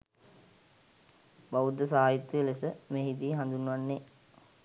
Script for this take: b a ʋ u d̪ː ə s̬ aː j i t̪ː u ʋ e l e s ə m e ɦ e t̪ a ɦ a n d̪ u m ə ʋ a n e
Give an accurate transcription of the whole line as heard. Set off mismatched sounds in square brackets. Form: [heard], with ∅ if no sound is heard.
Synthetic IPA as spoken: b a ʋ u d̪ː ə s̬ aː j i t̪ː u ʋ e l e s ə m e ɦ [i] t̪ [i] ɦ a n d̪ u [n] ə ʋ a [nː] e